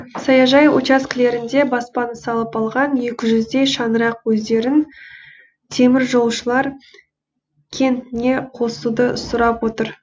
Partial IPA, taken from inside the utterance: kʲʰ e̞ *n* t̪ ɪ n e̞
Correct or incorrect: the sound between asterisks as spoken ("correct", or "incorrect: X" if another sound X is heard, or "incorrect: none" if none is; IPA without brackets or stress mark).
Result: correct